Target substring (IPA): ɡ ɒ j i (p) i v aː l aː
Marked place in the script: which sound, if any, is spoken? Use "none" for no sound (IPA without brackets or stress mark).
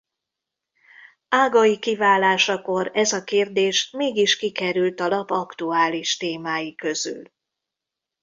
k